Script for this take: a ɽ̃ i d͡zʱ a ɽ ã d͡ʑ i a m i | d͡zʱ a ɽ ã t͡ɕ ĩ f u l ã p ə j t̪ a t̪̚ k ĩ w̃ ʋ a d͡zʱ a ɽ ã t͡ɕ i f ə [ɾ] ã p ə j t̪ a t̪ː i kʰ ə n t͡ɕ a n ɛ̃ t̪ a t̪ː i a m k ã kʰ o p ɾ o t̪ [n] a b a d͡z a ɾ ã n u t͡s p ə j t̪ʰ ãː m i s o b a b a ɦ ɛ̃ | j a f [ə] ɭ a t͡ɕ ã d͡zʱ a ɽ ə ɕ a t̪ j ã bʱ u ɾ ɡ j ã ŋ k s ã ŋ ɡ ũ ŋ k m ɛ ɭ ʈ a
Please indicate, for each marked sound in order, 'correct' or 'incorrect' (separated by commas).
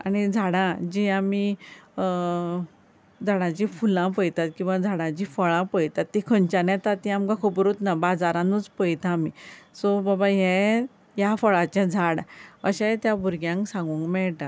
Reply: incorrect, correct, correct